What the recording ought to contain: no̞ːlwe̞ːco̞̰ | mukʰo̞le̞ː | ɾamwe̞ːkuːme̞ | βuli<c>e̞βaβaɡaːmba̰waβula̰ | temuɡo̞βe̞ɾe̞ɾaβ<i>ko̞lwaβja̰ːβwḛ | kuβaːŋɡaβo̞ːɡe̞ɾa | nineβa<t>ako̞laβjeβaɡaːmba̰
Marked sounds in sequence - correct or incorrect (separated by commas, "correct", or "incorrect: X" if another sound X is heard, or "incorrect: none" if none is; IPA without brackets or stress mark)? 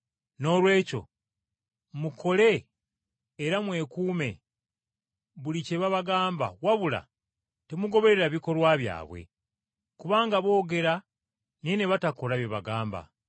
correct, correct, correct